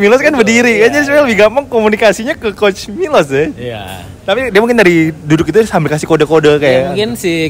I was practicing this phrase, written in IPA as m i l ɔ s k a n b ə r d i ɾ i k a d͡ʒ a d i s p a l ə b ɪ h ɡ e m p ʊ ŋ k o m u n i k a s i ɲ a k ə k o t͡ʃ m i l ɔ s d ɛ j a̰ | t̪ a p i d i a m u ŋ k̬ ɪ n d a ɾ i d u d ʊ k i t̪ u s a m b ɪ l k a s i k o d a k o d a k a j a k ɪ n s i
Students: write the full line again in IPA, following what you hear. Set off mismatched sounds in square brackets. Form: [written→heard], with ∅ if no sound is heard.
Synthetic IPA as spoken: m i l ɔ s k a n b ə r d i ɾ i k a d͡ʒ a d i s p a l ə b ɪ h ɡ [e→a] m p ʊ ŋ k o m u n i k a s i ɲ a k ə k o t͡ʃ m i l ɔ s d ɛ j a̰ | t̪ a p i d i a m u ŋ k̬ ɪ n d a ɾ i d u d ʊ k i t̪ u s a m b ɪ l k a s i k o d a k o d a k a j a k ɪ n s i